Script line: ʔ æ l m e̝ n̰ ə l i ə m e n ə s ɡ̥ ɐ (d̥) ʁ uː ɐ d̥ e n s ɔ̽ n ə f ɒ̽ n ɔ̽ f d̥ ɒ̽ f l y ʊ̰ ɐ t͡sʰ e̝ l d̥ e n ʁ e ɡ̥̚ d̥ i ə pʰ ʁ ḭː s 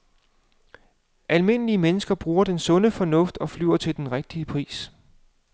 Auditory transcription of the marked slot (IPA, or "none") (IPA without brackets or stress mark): b̥